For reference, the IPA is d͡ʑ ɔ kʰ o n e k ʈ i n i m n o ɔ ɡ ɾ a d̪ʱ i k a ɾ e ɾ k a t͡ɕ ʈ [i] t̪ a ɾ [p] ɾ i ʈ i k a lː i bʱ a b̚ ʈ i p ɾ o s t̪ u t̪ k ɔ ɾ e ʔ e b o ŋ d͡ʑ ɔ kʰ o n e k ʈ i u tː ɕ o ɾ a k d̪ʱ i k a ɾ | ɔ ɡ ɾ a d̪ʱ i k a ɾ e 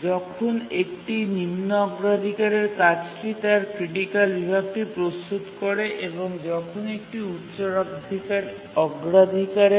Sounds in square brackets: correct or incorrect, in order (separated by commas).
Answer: correct, incorrect